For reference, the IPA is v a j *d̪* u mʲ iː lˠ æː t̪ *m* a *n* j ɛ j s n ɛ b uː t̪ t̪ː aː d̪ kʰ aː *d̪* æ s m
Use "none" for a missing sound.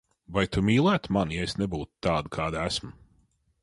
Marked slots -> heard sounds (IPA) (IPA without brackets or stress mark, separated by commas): t̪, m, n, d̪